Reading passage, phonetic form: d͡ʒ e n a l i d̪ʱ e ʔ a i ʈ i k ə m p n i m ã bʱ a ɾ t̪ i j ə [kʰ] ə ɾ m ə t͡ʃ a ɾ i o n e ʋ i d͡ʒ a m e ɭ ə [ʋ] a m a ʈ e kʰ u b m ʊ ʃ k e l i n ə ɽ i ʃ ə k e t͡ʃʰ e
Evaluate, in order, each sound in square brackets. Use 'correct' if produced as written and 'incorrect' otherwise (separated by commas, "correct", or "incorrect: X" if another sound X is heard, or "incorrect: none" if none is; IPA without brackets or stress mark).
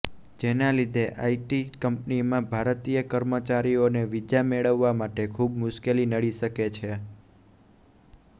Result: incorrect: k, incorrect: ʋː